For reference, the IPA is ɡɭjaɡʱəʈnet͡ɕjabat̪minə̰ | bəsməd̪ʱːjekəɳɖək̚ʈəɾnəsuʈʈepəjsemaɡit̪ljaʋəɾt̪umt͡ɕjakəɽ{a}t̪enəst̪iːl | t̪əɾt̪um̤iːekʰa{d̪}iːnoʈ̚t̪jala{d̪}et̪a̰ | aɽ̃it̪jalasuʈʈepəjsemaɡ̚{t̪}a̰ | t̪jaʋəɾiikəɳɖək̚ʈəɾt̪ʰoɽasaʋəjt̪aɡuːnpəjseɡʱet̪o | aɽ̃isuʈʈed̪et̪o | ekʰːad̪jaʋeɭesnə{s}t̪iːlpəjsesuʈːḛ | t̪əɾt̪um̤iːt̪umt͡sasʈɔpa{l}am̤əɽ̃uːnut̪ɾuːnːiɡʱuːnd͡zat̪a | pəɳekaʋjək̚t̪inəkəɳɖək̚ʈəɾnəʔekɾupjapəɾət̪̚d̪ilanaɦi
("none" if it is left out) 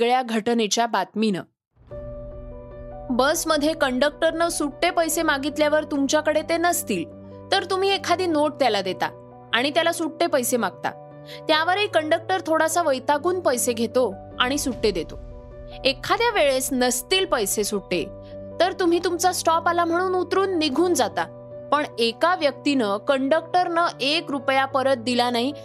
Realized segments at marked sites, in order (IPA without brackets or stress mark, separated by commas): e, d̪, d̪, t̪, s, l